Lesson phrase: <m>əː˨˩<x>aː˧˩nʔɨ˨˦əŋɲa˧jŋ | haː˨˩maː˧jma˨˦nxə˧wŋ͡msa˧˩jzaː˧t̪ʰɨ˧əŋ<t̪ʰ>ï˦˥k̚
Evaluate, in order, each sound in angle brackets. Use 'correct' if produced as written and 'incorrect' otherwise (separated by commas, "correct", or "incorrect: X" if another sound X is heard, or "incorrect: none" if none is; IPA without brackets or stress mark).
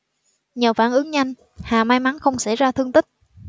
incorrect: ɲ, incorrect: f, incorrect: t̪